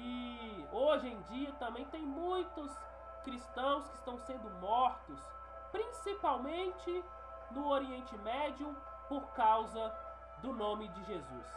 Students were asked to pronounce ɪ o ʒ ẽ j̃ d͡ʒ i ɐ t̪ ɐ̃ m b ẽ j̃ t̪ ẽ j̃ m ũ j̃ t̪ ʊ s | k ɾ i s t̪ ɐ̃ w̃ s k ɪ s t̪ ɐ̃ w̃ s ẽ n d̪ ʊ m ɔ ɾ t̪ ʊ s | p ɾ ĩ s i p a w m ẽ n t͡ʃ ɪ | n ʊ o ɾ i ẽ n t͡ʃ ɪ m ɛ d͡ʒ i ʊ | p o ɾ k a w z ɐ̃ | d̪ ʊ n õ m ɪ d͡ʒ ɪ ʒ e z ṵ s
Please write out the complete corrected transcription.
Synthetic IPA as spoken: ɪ o ʒ ẽ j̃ d͡ʒ i ɐ t̪ ɐ̃ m b ẽ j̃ t̪ ẽ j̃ m ũ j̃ t̪ ʊ s | k ɾ i s t̪ ɐ̃ w̃ s k ɪ s t̪ ɐ̃ w̃ s ẽ n d̪ ʊ m ɔ ɾ t̪ ʊ s | p ɾ ĩ s i p a w m ẽ n t͡ʃ ɪ | n ʊ o ɾ i ẽ n t͡ʃ ɪ m ɛ d͡ʒ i ʊ | p o ɾ k a w z ɐ | d̪ ʊ n õ m ɪ d͡ʒ ɪ ʒ e z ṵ s